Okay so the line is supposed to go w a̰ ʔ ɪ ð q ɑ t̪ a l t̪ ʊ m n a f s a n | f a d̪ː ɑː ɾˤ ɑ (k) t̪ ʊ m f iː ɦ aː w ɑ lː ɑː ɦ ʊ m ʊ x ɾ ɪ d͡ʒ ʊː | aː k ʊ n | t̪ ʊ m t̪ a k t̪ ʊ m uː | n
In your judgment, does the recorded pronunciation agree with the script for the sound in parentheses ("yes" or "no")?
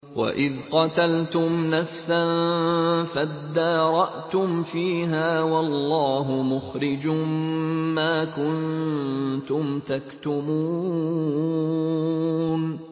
no